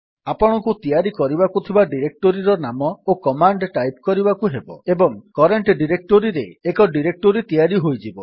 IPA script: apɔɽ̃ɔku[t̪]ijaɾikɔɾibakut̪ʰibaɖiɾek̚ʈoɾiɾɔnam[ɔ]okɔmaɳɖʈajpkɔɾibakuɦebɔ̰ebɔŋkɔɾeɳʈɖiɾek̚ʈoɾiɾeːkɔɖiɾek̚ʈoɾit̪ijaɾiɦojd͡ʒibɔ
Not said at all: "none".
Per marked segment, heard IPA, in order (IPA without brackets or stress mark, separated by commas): t̪, ɔ